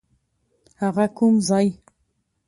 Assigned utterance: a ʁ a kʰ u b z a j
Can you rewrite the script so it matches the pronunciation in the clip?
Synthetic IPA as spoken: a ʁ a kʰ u m z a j

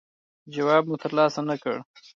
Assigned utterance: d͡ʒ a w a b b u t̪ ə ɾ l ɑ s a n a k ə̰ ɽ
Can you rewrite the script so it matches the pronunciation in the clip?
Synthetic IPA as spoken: d͡ʒ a w ɑ b m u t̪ ə ɾ l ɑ s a n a k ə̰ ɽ

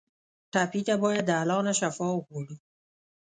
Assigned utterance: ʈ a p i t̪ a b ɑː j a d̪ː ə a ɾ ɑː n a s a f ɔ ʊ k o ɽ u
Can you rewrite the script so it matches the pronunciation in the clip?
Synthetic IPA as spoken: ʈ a p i t̪ a b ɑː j a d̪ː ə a l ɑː n a ʃ a f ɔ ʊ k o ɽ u

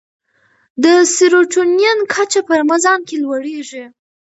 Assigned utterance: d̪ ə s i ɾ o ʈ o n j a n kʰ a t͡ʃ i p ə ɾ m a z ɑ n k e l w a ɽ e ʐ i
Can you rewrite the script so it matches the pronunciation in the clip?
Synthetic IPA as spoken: d̪ ə s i ɾ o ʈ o n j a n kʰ a t͡ʃ a p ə ɾ m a z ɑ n k e l w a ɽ e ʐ i

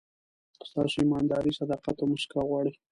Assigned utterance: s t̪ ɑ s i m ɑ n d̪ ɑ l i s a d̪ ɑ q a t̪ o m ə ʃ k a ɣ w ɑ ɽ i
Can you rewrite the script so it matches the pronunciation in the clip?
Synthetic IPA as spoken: s t̪ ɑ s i m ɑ n d̪ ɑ ɾ i s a d̪ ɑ q a t̪ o m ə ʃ k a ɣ w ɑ ɽ i

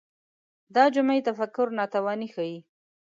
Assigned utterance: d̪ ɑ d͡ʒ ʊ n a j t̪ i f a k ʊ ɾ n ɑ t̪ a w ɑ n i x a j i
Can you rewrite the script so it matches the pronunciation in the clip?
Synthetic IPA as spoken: d̪ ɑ d͡ʒ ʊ m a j t̪ a f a k ʊ ɾ n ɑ t̪ a w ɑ n i x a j i

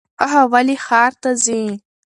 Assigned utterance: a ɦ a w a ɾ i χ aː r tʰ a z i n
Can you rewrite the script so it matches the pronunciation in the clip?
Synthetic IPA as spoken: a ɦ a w a l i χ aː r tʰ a z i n

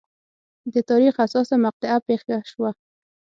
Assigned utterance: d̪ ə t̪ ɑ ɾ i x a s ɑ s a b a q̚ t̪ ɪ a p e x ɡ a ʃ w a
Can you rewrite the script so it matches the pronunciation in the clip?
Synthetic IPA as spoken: d̪ ə t̪ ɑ ɾ i x a s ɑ s a m a q̚ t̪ ɪ a p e x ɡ a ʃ w a

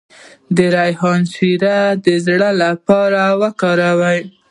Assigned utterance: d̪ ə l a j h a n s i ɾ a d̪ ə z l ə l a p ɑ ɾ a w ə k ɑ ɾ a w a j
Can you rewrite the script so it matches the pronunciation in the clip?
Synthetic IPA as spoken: d̪ ə ɾ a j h ɑ n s i ɾ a d̪ ə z ɽ ə l a p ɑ ɾ a w ə k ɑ ɾ a w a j

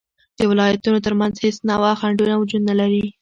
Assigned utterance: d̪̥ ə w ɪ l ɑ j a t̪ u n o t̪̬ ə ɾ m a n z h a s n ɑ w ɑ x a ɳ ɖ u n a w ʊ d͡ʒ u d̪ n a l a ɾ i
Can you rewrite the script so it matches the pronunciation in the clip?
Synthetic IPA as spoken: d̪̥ ə w ɪ l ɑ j a t̪ u n o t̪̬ ə ɾ m a n z h e s n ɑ w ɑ x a ɳ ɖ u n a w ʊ d͡ʒ u d̪ n a l a ɾ i

